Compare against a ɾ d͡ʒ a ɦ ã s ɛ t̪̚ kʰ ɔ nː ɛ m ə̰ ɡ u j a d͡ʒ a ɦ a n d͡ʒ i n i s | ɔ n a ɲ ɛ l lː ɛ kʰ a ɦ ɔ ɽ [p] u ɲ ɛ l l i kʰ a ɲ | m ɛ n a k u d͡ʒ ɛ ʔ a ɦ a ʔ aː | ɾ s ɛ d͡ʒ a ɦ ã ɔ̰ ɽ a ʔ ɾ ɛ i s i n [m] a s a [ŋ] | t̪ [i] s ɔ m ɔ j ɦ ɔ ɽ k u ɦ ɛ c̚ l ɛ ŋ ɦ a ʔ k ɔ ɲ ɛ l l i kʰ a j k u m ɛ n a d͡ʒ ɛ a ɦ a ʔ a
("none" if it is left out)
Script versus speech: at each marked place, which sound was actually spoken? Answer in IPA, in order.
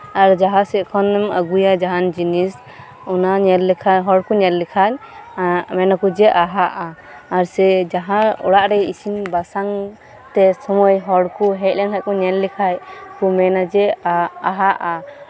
k, b, ŋ, ɛ

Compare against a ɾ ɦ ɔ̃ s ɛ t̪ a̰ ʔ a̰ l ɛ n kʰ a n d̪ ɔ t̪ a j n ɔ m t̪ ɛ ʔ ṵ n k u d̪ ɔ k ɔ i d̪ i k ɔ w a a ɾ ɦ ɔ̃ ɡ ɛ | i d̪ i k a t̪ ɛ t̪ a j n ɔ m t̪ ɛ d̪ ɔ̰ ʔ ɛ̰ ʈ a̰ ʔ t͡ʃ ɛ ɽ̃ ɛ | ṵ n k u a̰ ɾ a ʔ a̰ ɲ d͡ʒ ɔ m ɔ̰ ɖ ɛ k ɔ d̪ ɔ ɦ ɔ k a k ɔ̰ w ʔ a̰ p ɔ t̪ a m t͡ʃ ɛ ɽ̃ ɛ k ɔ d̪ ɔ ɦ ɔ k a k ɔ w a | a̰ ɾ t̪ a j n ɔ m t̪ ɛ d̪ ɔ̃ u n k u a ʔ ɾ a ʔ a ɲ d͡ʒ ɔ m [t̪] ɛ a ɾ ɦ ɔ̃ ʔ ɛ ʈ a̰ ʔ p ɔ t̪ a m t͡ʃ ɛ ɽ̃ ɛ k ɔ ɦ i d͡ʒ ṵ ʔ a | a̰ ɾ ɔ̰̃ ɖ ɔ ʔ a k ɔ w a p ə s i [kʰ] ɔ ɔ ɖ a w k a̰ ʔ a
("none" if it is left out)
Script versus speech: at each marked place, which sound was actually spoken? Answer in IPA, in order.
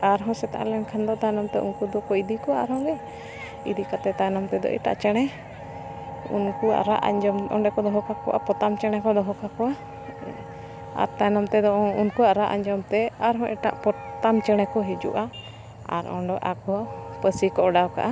t̪, k

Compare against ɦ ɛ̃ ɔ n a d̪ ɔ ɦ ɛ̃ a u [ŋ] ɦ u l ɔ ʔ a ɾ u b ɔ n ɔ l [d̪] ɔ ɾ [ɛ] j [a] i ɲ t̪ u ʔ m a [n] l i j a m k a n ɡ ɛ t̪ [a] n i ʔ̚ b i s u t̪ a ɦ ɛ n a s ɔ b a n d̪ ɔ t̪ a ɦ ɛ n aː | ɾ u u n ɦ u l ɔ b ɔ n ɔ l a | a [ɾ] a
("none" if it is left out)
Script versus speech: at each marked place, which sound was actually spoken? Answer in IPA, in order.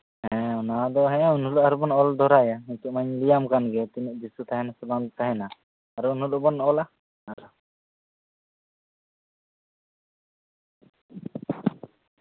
n, d̪, a, a, ɲ, i, ɾ

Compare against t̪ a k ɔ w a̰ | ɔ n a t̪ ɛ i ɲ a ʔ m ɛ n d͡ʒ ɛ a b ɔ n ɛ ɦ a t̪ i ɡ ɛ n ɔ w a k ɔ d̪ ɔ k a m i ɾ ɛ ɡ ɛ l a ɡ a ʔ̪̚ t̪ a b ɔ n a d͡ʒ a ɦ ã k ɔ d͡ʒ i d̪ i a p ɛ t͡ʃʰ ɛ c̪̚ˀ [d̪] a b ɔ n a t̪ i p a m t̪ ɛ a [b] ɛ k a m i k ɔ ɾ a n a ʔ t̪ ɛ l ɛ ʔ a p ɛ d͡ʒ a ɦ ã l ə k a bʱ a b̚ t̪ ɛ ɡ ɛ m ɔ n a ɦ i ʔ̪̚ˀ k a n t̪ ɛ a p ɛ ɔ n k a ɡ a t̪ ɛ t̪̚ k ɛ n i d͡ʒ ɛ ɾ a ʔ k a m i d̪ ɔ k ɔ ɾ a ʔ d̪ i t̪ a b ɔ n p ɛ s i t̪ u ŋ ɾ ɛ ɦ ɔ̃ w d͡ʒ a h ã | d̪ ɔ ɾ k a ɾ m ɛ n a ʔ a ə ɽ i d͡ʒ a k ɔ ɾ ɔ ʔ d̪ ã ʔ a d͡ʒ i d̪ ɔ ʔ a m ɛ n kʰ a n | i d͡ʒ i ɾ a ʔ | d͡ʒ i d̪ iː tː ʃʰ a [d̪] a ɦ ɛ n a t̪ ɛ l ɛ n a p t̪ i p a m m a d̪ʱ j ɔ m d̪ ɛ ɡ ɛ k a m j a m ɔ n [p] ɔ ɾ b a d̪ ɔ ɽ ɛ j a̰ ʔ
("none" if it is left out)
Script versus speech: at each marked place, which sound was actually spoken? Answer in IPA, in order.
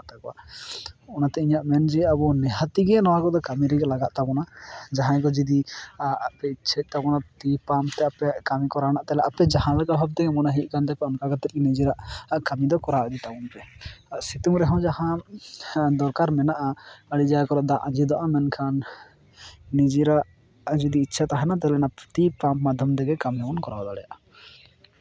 t̪, p, t̪, k

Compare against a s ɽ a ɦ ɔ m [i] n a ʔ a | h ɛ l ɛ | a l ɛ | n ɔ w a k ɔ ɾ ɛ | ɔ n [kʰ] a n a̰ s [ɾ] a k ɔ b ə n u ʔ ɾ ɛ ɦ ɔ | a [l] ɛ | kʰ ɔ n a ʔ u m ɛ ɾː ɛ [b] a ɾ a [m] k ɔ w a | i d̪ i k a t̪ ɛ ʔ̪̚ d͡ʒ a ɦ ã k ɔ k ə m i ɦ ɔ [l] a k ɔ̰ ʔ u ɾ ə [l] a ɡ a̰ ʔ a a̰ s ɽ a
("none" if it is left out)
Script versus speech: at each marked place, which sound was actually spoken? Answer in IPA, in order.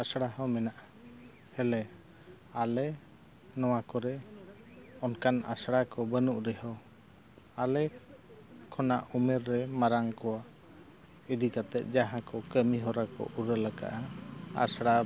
ɛ, k, ɽ, l, m, ŋ, ɾ, l

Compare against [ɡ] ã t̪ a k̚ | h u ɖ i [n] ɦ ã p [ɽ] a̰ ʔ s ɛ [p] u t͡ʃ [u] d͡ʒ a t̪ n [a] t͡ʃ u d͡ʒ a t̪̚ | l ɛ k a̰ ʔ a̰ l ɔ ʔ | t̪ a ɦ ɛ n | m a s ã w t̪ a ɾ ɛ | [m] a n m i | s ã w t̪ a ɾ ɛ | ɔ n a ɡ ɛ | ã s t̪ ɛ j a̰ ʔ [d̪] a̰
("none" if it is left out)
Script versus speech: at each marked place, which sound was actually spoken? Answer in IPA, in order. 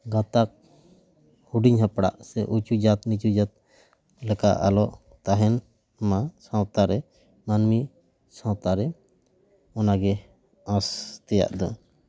ɡ, ɲ, ɽ, ʔ, u, i, m, d̪

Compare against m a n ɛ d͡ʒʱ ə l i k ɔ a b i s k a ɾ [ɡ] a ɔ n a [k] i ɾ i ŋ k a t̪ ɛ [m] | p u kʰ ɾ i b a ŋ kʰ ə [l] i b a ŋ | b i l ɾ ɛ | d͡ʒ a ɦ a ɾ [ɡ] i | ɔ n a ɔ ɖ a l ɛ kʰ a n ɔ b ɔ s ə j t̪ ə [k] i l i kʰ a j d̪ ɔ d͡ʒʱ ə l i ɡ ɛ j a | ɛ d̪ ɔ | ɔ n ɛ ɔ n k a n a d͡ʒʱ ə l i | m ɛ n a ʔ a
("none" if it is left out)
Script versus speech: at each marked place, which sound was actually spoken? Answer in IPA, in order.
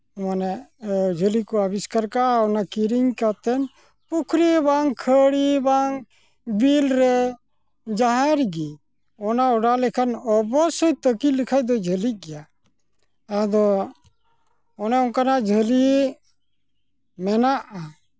k, k, n, ɽ, ɡ, k

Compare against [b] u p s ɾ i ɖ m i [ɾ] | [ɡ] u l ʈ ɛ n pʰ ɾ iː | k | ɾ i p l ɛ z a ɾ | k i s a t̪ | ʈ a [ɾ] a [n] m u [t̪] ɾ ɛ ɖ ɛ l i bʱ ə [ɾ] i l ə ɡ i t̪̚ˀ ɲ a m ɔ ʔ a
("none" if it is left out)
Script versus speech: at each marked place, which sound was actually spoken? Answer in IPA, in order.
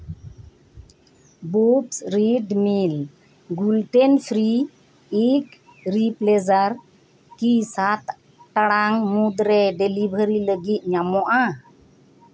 b, l, ɡ, ɽ, ŋ, d̪, ɾ

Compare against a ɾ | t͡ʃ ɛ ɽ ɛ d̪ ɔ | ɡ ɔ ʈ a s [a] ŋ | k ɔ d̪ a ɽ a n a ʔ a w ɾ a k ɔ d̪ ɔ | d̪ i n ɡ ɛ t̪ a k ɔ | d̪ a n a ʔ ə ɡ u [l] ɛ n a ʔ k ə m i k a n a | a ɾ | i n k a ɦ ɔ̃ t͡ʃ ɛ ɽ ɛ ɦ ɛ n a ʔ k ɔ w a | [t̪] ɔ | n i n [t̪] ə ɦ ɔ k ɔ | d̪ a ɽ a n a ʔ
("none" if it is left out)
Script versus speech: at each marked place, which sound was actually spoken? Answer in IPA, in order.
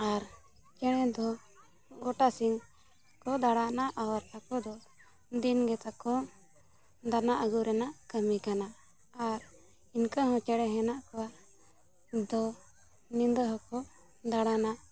i, ɾ, d̪, d̪

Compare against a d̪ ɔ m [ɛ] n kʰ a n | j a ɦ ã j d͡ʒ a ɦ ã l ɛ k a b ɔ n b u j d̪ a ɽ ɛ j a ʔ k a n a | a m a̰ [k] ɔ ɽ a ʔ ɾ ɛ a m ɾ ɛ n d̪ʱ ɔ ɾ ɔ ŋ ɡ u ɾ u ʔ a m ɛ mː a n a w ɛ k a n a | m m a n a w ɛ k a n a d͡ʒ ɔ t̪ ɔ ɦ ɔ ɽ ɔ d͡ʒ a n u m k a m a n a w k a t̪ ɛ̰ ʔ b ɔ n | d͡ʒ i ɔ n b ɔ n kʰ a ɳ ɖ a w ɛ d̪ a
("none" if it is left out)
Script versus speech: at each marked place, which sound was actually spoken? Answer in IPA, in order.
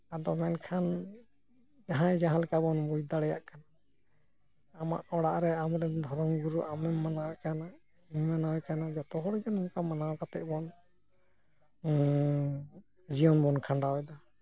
ɛ, ʔ

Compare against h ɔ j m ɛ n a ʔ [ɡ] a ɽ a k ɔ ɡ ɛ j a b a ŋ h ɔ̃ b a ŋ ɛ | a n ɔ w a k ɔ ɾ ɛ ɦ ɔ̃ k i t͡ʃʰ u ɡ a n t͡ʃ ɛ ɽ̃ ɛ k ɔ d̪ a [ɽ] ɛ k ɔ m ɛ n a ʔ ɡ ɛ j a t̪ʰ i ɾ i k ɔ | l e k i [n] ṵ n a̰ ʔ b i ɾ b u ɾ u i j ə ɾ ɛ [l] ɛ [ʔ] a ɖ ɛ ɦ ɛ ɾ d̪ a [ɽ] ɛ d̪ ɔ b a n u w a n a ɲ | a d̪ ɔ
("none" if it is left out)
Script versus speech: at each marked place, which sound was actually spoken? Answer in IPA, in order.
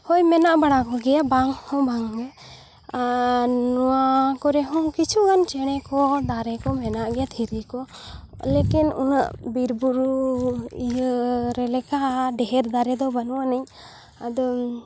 b, ɾ, n, l, k, ɾ

